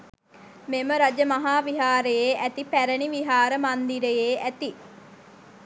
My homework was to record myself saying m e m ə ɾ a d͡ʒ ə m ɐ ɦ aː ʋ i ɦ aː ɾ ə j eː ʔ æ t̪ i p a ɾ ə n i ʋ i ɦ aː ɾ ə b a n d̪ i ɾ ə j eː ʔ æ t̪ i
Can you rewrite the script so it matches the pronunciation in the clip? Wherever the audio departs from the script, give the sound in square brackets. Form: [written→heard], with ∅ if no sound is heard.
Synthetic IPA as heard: m e m ə ɾ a d͡ʒ ə m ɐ ɦ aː ʋ i ɦ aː ɾ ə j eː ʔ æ t̪ i p [a→æ] ɾ ə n i ʋ i ɦ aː ɾ ə [b→m] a n d̪ i ɾ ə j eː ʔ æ t̪ i